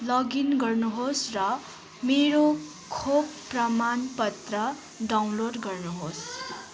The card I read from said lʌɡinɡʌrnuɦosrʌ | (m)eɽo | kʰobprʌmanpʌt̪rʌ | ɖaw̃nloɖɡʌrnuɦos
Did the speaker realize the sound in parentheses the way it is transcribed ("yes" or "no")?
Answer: yes